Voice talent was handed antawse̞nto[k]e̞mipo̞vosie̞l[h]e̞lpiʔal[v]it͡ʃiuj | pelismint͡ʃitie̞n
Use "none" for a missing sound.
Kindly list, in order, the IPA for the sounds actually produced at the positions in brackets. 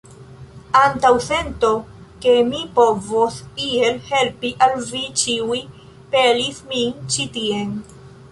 k, h, v

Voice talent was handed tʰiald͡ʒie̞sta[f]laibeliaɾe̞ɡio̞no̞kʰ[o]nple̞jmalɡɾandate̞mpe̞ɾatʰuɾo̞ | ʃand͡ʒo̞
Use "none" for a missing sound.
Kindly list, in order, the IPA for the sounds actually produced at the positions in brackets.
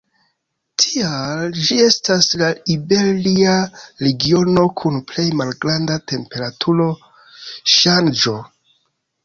s, u

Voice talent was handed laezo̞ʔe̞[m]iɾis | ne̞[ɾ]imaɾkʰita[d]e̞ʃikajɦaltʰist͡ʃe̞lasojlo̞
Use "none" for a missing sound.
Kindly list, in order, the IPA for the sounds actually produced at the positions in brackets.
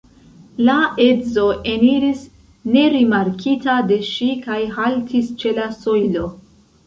n, ɾ, d

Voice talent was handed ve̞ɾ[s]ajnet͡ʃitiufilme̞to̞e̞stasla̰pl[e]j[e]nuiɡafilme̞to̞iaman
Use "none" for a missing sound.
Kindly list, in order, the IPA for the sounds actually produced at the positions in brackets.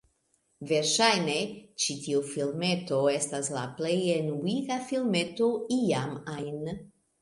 ʃ, e, e

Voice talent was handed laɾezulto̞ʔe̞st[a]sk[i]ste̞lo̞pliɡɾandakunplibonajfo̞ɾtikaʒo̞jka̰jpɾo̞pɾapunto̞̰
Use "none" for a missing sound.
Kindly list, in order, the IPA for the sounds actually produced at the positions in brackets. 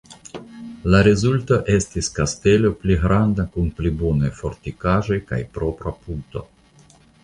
i, a

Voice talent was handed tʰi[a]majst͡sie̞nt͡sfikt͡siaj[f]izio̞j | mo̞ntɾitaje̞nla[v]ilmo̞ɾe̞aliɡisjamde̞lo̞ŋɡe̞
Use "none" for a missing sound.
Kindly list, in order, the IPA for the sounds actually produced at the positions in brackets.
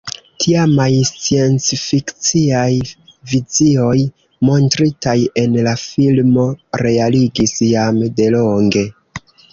a, v, f

